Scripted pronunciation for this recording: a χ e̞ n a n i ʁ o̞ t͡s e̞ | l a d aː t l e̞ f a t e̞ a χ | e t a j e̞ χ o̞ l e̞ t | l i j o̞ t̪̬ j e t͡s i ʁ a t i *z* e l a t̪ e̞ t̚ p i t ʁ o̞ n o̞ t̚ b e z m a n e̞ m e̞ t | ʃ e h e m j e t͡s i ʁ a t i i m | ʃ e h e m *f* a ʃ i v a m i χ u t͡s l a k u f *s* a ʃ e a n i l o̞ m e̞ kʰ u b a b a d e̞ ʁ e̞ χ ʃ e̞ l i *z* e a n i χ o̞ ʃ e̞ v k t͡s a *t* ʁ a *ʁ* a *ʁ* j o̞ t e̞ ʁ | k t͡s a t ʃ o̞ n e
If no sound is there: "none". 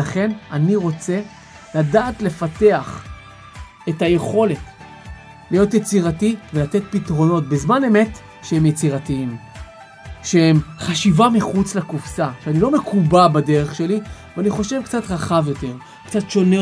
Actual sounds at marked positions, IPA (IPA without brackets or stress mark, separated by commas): v, χ, s, v, t, χ, v